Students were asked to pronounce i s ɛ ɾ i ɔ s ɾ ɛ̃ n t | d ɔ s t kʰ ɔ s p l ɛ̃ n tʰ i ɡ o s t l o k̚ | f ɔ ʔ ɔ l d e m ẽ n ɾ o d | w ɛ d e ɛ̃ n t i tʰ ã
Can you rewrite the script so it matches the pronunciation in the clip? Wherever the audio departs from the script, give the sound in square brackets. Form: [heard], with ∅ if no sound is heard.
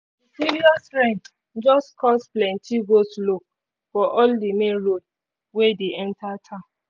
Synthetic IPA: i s [i] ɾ i ɔ s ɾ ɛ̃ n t | [d͡ʒ] ɔ s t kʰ ɔ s p l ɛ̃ n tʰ i ɡ o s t l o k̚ | f ɔ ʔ ɔ l d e m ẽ n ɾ o d | w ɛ d e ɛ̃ n t [a] tʰ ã